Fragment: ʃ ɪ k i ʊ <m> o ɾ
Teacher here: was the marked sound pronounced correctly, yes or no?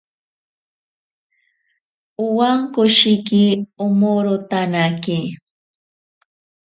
yes